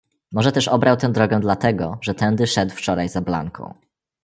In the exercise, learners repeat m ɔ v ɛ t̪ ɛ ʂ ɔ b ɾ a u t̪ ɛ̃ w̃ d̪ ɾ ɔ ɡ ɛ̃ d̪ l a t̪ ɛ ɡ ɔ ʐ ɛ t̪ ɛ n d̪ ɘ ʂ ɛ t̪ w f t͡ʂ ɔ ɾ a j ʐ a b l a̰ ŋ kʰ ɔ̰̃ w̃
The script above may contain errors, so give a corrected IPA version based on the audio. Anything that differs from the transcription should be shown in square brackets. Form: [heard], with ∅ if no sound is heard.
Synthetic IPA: m ɔ [ʐ] ɛ t̪ ɛ ʂ ɔ b ɾ a [w] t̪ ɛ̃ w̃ d̪ ɾ ɔ ɡ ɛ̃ d̪ l a t̪ ɛ ɡ ɔ ʐ ɛ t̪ ɛ n d̪ ɘ ʂ ɛ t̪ w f t͡ʂ ɔ ɾ a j [z] a b l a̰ ŋ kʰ ɔ̰̃ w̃